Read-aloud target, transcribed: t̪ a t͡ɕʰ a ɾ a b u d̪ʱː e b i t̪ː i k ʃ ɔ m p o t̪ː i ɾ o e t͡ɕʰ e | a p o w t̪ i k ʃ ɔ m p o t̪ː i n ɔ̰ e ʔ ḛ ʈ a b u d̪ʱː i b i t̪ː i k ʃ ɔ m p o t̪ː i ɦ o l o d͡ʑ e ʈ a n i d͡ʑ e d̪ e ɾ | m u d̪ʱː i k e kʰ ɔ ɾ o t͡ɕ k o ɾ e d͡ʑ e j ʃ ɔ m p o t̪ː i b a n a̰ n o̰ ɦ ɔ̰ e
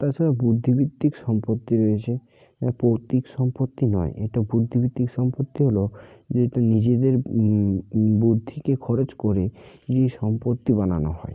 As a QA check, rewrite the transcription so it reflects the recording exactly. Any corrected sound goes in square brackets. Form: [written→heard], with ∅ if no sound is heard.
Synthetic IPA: t̪ a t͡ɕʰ a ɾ a b u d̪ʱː [e→i] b i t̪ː i k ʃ ɔ m p o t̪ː i ɾ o e t͡ɕʰ e | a p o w t̪ i k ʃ ɔ m p o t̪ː i n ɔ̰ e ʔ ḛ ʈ a b u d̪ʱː i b i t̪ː i k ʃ ɔ m p o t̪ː i ɦ o l o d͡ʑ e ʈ a n i d͡ʑ e d̪ e ɾ | [m→b] u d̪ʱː i k e kʰ ɔ ɾ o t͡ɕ k o ɾ e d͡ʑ e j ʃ ɔ m p o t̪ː i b a n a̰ n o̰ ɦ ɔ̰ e